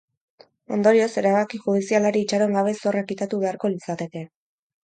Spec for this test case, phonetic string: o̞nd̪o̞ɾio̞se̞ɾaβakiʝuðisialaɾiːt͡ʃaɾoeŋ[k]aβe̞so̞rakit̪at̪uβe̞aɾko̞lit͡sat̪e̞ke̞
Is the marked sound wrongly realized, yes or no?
yes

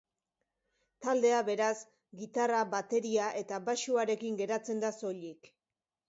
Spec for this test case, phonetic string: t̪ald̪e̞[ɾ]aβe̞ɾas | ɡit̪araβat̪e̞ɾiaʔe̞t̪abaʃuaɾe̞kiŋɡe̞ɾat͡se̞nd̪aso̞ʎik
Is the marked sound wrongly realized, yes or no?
yes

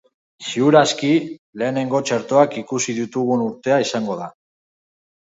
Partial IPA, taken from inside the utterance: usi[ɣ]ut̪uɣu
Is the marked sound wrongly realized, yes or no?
yes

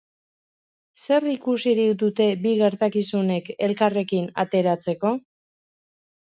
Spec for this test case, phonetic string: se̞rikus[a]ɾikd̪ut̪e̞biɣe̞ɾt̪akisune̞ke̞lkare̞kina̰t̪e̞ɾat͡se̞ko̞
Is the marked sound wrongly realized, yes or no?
yes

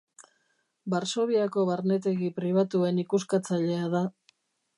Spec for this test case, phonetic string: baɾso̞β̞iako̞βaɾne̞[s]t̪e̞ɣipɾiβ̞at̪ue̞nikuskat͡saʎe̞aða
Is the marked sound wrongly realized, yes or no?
yes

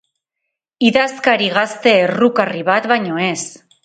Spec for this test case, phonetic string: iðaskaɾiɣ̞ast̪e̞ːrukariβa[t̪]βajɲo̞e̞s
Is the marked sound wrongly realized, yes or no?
no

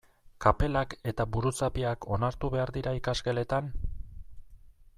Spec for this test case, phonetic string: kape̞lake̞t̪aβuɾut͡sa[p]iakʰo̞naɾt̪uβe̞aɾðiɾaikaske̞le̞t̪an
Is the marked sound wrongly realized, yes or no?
no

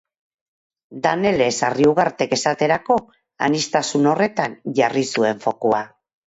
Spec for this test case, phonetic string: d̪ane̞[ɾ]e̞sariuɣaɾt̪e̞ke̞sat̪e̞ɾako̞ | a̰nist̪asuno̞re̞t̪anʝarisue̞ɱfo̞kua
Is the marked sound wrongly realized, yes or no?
yes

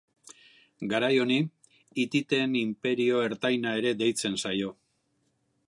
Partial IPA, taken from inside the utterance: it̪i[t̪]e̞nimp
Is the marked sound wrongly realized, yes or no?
no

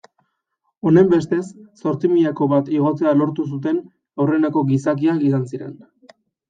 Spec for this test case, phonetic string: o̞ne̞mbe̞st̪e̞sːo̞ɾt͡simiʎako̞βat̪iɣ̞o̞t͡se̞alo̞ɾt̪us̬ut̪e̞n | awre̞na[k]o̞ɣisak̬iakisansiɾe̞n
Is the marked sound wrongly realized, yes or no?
no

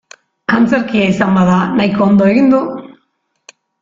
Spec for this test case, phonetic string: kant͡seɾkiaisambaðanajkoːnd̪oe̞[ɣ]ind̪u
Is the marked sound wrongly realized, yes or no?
no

